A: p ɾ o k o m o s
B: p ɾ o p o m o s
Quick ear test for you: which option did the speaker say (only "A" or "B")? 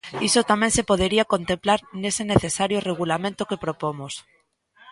B